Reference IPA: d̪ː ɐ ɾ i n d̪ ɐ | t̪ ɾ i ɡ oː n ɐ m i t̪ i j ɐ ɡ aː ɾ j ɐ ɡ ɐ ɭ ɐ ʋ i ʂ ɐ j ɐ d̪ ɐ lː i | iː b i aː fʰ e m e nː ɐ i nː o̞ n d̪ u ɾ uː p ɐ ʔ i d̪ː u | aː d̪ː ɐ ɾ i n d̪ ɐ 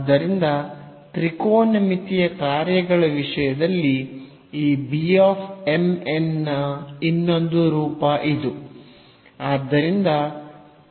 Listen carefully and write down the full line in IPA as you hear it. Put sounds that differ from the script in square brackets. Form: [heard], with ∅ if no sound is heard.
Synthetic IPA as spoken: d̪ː ɐ ɾ i n d̪ ɐ | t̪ ɾ i [k] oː n ɐ m i t̪ i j ɐ [k] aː ɾ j ɐ ɡ ɐ ɭ ɐ ʋ i ʂ ɐ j ɐ d̪ ɐ lː i | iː b i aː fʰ e m e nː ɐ i nː o̞ n d̪ u ɾ uː p ɐ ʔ i [d̪] u | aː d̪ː ɐ ɾ i n d̪ ɐ

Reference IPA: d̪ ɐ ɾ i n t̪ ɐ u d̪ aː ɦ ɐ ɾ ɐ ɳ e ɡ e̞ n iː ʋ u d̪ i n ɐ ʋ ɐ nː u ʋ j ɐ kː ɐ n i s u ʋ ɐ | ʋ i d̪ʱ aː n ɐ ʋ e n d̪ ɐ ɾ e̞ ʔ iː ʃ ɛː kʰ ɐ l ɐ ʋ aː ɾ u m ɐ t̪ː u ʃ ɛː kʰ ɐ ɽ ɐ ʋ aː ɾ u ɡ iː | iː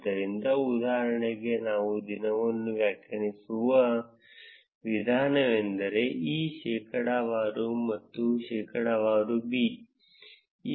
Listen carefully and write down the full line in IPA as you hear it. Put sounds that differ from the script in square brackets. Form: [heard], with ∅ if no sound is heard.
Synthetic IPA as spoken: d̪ ɐ ɾ i n [d̪] ɐ u d̪ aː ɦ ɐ ɾ ɐ ɳ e ɡ e̞ n [aː] ʋ u d̪ i n ɐ ʋ ɐ nː u ʋ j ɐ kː ɐ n i s u ʋ ɐ | ʋ i d̪ʱ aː n ɐ ʋ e n d̪ ɐ ɾ e̞ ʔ iː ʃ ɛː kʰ ɐ [ɽ] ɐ ʋ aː ɾ u m ɐ t̪ː u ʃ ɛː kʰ ɐ ɽ ɐ ʋ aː ɾ u [b] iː | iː

